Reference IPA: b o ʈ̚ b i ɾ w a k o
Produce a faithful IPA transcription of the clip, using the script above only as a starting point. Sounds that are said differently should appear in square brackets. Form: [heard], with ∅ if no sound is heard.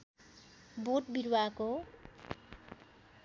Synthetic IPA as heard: b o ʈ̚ b i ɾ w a k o

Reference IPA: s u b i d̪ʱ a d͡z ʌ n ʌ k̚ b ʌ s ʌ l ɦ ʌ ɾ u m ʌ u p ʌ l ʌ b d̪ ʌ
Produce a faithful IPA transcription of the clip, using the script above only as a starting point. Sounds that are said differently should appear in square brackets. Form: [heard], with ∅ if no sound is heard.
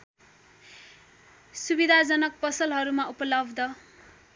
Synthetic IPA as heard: s u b i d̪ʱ a d͡z ʌ n ʌ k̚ [p] ʌ s ʌ l ɦ ʌ ɾ u m [a] u p ʌ l ʌ b d̪ ʌ

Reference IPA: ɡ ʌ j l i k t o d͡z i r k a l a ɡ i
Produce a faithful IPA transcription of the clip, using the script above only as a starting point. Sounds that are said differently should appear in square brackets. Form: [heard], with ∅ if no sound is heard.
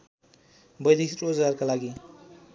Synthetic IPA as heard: [b] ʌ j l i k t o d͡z [a] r k a l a ɡ i

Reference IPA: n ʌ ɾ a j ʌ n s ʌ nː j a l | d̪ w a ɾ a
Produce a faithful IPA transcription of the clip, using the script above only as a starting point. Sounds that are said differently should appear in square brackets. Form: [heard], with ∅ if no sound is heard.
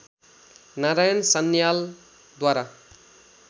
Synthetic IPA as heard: n [a] ɾ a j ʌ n s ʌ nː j a l | d̪ w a ɾ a

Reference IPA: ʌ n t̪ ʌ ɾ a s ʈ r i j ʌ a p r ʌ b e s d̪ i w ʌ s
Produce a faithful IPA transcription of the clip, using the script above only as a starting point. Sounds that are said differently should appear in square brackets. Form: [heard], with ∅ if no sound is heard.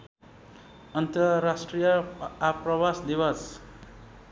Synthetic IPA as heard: ʌ n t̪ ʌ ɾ a s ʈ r i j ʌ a p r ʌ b [a] s d̪ i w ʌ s

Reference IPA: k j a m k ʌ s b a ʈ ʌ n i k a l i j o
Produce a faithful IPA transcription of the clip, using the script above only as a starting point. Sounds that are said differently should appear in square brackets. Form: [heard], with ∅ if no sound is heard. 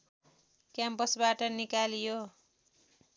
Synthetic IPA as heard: k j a m [p] ʌ s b a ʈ ʌ n i k a l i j o

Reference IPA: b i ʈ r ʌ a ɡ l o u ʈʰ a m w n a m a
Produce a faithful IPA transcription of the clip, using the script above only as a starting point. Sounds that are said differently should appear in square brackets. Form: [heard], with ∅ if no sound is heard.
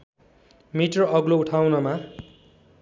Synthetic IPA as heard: [m] i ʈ r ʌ [ʌ] ɡ l o u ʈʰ a [∅] w n [ʌ] m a

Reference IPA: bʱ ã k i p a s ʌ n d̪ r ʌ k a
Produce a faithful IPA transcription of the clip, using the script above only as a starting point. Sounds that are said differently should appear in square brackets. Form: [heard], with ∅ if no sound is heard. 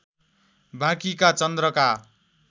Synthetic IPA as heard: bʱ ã k i [k] a [t͡s] ʌ n d̪ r ʌ k a

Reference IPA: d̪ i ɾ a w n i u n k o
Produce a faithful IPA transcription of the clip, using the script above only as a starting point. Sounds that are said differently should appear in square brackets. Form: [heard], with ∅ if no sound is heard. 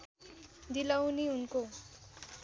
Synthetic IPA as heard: d̪ i [l] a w n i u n k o

